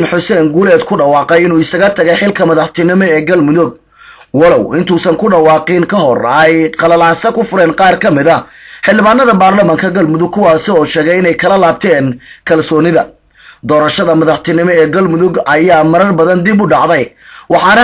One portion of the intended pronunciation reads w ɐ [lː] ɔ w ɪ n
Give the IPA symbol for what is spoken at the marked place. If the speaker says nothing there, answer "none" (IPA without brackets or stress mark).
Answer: l